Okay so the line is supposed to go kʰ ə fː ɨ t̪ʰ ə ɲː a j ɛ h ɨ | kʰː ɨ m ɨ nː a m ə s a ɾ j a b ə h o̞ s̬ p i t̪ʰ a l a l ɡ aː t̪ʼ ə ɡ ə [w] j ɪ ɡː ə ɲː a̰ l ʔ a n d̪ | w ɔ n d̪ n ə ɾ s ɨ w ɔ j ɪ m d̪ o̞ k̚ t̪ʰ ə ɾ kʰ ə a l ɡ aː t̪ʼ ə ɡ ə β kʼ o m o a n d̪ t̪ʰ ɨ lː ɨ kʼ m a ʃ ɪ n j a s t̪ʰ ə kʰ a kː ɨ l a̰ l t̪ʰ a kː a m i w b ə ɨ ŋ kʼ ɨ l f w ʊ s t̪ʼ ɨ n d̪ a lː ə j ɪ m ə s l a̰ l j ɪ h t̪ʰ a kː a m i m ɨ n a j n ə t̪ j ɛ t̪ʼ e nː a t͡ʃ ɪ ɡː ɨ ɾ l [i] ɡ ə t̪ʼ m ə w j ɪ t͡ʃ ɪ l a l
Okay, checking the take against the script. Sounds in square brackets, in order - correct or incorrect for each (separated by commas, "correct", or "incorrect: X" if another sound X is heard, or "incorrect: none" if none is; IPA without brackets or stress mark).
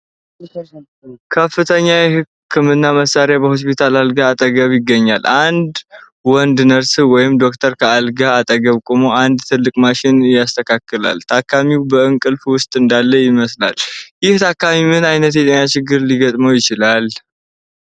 incorrect: β, correct